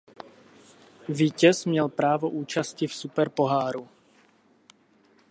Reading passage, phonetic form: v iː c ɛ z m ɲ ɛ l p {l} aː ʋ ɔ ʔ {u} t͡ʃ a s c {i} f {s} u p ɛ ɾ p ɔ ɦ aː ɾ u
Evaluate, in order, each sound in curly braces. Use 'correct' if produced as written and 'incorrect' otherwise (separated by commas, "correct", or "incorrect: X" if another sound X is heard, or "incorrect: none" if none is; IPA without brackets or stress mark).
incorrect: ɾ, incorrect: uː, correct, correct